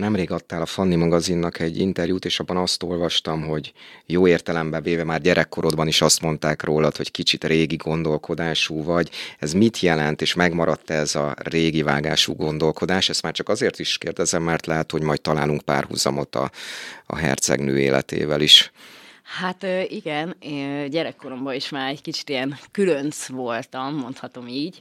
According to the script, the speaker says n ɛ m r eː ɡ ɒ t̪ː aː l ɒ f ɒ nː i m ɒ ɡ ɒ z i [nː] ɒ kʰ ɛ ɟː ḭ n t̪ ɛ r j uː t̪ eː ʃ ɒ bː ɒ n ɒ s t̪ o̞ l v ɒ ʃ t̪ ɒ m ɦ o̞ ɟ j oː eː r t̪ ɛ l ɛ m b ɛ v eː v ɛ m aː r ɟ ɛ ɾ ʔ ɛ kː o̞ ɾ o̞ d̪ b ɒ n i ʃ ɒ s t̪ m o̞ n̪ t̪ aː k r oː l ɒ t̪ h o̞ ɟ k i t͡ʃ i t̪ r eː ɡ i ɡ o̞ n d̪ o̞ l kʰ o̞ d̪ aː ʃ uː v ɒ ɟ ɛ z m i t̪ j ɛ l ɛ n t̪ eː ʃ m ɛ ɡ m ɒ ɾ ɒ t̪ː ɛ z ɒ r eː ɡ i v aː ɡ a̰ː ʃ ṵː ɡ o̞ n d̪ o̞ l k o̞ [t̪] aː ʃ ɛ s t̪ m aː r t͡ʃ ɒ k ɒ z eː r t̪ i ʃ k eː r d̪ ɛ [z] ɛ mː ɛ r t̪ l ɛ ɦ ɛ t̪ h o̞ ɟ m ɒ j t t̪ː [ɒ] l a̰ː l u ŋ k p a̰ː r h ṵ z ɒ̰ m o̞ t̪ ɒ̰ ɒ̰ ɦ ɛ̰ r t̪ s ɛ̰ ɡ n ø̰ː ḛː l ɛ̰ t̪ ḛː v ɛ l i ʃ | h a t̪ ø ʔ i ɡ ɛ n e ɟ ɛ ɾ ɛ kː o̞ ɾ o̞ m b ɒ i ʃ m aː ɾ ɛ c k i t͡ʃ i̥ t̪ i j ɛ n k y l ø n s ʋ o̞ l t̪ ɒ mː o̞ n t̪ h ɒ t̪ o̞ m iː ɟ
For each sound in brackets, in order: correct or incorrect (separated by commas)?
correct, incorrect, correct, correct